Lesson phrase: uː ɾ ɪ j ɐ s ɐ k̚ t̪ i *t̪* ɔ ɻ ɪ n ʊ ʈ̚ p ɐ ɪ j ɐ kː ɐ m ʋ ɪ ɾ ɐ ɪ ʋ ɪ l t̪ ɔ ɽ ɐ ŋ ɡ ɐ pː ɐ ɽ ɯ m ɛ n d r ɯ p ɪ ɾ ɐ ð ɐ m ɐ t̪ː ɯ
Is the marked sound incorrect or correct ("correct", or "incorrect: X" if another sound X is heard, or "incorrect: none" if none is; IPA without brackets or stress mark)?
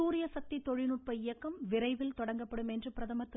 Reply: correct